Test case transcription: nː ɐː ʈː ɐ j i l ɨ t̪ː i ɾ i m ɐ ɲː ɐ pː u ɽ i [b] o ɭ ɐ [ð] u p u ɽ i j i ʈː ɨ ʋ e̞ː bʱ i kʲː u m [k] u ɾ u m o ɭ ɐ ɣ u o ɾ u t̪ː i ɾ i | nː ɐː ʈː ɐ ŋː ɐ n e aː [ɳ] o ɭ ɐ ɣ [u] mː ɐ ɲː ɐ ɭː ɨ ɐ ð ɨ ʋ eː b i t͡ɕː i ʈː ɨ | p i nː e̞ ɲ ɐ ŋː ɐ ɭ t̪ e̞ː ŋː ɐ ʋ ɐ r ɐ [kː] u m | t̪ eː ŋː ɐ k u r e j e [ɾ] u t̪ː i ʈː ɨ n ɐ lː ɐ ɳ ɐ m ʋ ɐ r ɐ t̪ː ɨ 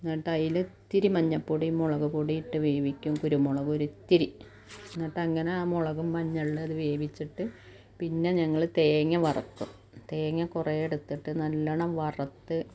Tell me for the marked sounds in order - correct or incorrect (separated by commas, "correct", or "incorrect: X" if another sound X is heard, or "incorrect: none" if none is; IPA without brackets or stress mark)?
incorrect: m, incorrect: ɣ, correct, incorrect: m, correct, correct, incorrect: ɽ